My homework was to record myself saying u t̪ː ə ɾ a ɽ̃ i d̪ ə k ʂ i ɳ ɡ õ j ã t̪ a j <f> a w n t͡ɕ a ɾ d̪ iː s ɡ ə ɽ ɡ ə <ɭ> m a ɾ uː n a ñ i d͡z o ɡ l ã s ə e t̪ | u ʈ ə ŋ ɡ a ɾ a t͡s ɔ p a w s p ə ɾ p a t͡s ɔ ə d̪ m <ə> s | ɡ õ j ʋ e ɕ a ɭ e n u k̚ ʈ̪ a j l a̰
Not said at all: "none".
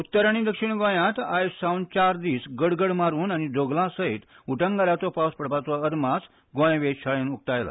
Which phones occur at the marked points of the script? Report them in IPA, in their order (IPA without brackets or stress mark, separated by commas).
s, ɽ, a